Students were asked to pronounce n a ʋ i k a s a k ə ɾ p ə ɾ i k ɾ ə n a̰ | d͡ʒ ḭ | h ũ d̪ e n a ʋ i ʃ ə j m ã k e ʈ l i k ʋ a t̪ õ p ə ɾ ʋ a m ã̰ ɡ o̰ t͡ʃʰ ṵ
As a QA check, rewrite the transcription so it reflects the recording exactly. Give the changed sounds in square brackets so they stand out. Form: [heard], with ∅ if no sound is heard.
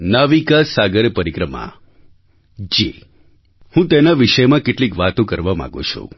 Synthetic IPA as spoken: n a ʋ i k a s a [ɡ] ə ɾ p ə ɾ i k ɾ ə [m] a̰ | d͡ʒ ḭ | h ũ [t̪] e n a ʋ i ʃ ə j m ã k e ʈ l i k ʋ a t̪ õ [k] ə ɾ ʋ a m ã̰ ɡ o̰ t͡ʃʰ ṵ